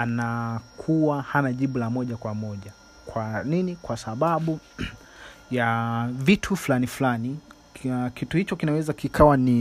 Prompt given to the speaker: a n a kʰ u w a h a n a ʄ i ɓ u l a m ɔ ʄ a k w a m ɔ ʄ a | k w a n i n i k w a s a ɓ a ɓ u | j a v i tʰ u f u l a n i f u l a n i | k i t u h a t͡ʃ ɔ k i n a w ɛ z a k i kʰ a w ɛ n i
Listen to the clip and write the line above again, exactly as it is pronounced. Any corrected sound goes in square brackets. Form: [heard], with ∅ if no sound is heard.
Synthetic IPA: a n a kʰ u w a h a n a ʄ i ɓ u l a m ɔ ʄ a k w a m ɔ ʄ a | k w a n i n i k w a s a ɓ a ɓ u | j a v i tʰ u f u l a n i f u l a n i | k i t u h [i] t͡ʃ ɔ k i n a w ɛ z a k i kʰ a w [a] n i